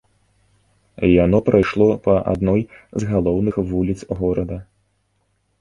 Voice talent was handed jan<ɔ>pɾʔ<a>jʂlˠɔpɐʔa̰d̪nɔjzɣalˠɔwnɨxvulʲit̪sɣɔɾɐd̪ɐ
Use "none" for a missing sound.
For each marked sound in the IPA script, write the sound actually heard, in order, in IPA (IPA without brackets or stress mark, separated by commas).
ɔ, a